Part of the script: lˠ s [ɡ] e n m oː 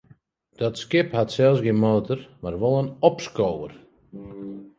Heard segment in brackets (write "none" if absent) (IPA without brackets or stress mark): ɡ